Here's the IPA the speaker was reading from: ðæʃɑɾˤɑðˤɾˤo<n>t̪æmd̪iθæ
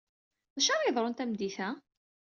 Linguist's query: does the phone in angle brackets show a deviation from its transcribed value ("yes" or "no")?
no